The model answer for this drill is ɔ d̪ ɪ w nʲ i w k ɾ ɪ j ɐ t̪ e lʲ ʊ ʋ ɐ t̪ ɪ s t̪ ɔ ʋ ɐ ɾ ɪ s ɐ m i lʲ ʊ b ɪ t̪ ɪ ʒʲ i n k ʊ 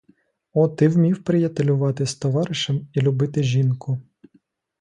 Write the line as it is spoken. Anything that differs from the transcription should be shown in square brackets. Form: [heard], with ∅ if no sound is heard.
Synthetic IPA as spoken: ɔ [t̪] ɪ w [mʲ] i w [p] ɾ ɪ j ɐ t̪ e lʲ ʊ ʋ [ɑ] t̪ ɪ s t̪ ɔ ʋ [ɑ] ɾ ɪ [ʃ] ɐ m i lʲ ʊ b ɪ t̪ ɪ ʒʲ i n k ʊ